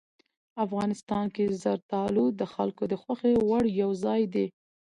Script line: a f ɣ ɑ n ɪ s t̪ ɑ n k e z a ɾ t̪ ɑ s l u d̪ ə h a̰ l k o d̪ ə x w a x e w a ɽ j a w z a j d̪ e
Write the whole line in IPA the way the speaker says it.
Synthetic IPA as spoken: a f ɣ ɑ n ɪ s t̪ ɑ n k e z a ɾ t̪ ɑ l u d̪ ə x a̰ l k o d̪ ə x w a x e w a ɽ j a w z ɑ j d̪ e